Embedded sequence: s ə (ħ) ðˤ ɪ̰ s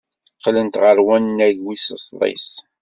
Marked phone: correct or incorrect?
incorrect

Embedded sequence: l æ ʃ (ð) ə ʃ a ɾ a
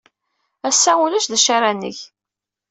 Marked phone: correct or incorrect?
correct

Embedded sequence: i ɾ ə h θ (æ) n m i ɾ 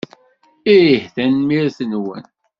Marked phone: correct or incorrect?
correct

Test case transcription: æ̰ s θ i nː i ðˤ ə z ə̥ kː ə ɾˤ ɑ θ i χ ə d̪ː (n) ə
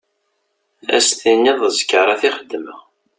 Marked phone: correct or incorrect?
incorrect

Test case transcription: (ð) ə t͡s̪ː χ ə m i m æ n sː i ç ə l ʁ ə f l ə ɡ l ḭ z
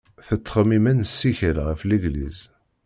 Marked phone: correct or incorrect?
incorrect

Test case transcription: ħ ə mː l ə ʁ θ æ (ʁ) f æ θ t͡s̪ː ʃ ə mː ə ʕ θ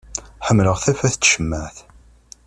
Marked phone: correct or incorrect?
incorrect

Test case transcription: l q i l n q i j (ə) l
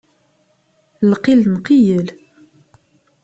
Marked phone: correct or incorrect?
correct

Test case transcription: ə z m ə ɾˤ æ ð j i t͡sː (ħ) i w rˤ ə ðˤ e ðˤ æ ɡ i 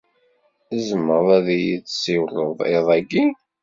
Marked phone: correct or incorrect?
incorrect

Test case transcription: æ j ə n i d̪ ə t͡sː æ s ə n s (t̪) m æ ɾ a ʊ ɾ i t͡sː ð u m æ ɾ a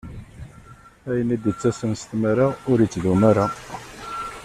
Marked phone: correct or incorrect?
correct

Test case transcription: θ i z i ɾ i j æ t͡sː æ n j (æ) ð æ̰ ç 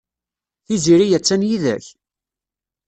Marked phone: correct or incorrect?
incorrect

